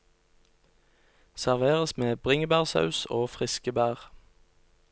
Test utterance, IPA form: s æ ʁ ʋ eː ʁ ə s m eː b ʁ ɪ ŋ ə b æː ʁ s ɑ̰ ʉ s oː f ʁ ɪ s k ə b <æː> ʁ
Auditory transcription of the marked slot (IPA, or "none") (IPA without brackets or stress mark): æː